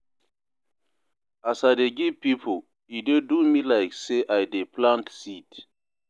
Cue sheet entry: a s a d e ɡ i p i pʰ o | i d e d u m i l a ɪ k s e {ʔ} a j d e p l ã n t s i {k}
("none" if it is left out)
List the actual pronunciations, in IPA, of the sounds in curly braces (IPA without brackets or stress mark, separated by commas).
ʔ, t